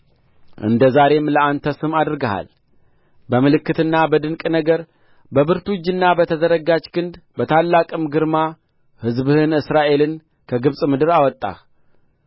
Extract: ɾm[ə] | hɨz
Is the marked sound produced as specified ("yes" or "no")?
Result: no